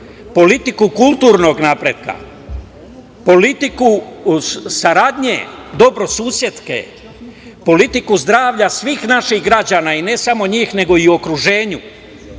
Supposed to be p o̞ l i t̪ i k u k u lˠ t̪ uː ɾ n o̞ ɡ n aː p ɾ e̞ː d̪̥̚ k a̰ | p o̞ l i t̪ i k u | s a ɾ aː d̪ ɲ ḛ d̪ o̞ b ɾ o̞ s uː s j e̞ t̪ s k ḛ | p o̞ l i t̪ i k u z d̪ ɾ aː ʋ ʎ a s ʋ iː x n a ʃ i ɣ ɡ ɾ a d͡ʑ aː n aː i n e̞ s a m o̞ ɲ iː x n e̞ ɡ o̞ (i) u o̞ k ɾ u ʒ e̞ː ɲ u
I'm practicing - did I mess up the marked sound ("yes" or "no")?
no